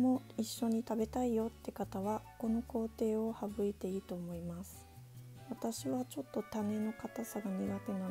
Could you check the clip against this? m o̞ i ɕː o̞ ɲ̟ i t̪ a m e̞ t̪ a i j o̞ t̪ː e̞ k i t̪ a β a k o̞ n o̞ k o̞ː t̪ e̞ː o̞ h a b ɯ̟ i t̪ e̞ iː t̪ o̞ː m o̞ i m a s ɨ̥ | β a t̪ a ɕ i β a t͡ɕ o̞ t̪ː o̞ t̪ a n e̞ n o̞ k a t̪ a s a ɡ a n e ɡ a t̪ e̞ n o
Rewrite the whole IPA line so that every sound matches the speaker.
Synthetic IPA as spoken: m o̞ i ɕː o̞ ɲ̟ i t̪ a b e̞ t̪ a i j o̞ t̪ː e̞ k a t̪ a β a k o̞ n o̞ k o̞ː t̪ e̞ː o̞ h a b ɯ̟ i t̪ e̞ iː t̪ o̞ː m o̞ i m a s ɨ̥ | β a t̪ a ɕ i β a t͡ɕ o̞ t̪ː o̞ t̪ a n e̞ n o̞ k a t̪ a s a ɡ a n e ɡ a t̪ e̞ n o

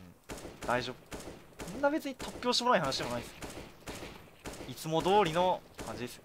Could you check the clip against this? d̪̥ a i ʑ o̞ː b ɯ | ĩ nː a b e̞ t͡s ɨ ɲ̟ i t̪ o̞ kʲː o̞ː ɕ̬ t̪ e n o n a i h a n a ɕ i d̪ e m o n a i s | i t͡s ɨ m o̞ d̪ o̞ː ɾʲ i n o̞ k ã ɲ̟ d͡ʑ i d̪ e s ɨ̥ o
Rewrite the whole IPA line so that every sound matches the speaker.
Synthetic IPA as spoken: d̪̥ a i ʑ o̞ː b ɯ | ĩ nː a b e̞ t͡s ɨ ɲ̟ i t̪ o̞ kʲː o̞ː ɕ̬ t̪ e m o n a i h a n a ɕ i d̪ e m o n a i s | i t͡s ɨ m o̞ d̪ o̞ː ɾʲ i n o̞ k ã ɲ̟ d͡ʑ i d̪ e s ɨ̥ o

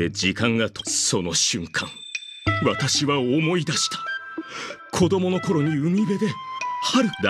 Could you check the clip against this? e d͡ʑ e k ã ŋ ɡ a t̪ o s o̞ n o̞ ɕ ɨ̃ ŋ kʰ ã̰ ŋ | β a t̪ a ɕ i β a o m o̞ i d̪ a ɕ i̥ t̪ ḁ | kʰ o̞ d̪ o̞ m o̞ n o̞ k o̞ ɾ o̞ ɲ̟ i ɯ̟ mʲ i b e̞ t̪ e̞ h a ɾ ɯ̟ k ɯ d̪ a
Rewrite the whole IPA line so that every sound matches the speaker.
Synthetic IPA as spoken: e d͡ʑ i k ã ŋ ɡ a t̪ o s o̞ n o̞ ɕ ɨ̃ ŋ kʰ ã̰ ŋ | β a t̪ a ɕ i β a o m o̞ i d̪ a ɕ i̥ t̪ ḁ | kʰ o̞ d̪ o̞ m o̞ n o̞ k o̞ ɾ o̞ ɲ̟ i ɯ̟ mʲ i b e̞ d̪ e̞ h a ɾ ɯ̟ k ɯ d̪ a

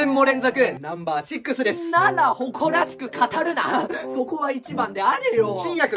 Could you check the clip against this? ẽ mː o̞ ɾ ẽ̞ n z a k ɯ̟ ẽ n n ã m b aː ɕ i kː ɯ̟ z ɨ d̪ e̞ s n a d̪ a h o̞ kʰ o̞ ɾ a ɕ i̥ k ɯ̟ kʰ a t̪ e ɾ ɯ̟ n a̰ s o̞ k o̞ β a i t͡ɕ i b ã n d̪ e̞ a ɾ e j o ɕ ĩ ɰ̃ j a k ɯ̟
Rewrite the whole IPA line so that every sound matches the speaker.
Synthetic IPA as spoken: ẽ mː o̞ ɾ ẽ̞ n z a k ɯ̟ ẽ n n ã m b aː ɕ i kː ɯ̟ s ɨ d̪ e̞ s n a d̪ a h o̞ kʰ o̞ ɾ a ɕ i̥ k ɯ̟ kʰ a t̪ a ɾ ɯ̟ n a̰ s o̞ k o̞ β a i t͡ɕ i b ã n d̪ e̞ a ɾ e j o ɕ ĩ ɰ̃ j a k ɯ̟

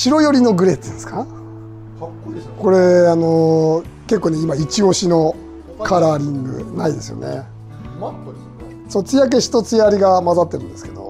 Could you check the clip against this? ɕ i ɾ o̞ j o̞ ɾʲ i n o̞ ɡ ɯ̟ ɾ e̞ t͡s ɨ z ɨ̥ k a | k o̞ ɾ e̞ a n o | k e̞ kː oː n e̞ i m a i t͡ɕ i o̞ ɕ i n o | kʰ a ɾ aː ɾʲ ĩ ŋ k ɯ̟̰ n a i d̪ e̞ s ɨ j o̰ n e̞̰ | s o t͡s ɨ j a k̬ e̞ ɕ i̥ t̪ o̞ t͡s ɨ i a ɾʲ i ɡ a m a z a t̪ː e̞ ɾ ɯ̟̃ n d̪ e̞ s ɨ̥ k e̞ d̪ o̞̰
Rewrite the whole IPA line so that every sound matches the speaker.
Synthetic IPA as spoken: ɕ i ɾ o̞ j o̞ ɾʲ i n o̞ ɡ ɯ̟ ɾ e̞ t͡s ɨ s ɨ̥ k a | k o̞ ɾ e̞ a n o | k e̞ kː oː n e̞ i m a i t͡ɕ i o̞ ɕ i n o | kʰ a ɾ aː ɾʲ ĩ ŋ ɡ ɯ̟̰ n a i d̪ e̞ s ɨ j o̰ n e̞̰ | s o t͡s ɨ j a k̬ e̞ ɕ i̥ t̪ o̞ t͡s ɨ j a ɾʲ i ɡ a m a z a t̪ː e̞ ɾ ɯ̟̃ n d̪ e̞ s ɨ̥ k e̞ d̪ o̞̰

